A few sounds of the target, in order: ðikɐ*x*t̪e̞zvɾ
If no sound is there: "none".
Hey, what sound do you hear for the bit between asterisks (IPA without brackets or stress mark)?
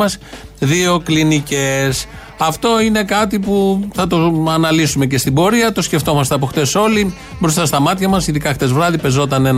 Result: x